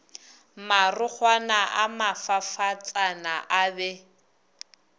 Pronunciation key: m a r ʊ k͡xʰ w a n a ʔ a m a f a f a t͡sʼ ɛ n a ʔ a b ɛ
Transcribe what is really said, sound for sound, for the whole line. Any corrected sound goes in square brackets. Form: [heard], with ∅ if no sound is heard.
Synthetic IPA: m a r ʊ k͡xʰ w a n a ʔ a m a f a f a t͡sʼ [a] n a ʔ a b ɛ